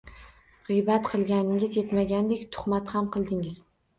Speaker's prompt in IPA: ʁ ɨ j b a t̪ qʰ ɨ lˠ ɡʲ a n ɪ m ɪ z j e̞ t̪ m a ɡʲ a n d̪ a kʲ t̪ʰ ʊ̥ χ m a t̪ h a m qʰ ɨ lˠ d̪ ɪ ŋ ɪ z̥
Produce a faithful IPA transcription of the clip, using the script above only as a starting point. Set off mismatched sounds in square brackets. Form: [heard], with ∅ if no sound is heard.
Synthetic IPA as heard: ʁ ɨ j b a t̪ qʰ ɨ lˠ ɡʲ a n ɪ [ŋ] ɪ z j e̞ t̪ m a ɡʲ a n d̪ [e] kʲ t̪ʰ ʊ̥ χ m a t̪ h a m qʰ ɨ lˠ d̪ ɪ ŋ ɪ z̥